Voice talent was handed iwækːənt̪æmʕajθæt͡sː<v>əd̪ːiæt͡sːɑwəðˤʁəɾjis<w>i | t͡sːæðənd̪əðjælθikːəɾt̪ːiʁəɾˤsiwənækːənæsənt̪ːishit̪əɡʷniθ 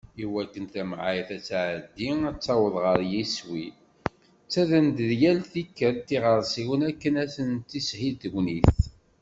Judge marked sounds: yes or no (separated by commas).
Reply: no, yes